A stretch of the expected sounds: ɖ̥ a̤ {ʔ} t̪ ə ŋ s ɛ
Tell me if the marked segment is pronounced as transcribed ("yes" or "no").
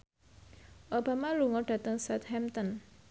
no